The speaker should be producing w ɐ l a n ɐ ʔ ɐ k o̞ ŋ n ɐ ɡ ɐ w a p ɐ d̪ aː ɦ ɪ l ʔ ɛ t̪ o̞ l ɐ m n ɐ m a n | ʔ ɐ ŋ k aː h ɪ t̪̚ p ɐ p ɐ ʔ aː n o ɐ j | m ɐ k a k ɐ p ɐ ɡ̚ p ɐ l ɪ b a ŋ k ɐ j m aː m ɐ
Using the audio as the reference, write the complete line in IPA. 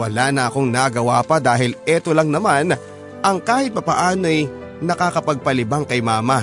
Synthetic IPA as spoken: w ɐ l a n ɐ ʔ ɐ k o̞ ŋ n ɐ ɡ ɐ w a p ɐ d̪ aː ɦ ɪ l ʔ ɛ t̪ o̞ l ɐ ŋ n ɐ m a n | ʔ ɐ ŋ k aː h ɪ t̪̚ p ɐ p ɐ ʔ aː n o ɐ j | n ɐ k a k ɐ p ɐ ɡ̚ p ɐ l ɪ b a ŋ k ɐ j m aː m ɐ